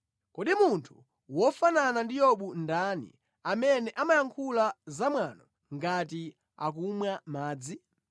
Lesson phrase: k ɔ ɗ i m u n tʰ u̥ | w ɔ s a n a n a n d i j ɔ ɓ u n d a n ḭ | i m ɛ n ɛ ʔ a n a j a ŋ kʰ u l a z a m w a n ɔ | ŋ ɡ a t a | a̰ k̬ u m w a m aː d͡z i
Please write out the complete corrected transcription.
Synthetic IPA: k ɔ ɗ i m u n tʰ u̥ | w ɔ f a n a n a n d i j ɔ ɓ u n d a n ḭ | a m ɛ n ɛ ʔ a m a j a ŋ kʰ u l a z a m w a n ɔ | ŋ ɡ a t i | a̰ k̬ u m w a m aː d͡z i